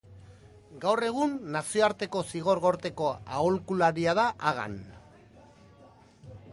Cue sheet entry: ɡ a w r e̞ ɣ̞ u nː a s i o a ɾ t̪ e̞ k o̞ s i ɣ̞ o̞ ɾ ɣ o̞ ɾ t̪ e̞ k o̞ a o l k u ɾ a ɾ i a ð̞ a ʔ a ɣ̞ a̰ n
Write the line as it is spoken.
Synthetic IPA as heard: ɡ a w r e̞ ɣ̞ u nː a s i o a ɾ t̪ e̞ k o̞ s i ɣ̞ o̞ ɾ ɣ o̞ ɾ t̪ e̞ k o̞ a o l k u l a ɾ i a ð̞ a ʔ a ɣ̞ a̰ n